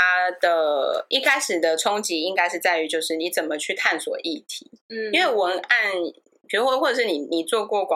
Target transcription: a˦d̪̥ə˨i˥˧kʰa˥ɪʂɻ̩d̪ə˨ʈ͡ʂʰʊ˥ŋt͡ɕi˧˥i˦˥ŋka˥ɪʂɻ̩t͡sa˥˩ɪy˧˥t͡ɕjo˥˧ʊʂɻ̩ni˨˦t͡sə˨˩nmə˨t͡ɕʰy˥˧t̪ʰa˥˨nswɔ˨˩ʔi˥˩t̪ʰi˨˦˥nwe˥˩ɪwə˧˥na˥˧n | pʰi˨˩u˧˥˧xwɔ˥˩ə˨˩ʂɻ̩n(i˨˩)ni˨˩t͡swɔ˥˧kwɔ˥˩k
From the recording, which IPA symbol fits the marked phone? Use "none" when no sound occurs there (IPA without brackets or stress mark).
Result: i˨˩